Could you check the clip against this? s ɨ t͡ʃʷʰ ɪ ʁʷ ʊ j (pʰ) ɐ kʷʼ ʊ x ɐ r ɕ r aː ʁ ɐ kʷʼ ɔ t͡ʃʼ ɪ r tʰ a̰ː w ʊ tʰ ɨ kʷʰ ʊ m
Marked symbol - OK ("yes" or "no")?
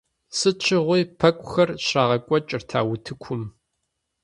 yes